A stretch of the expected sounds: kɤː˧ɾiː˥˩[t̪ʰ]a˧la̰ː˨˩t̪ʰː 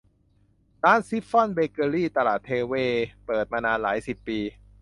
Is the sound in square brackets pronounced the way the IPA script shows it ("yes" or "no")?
no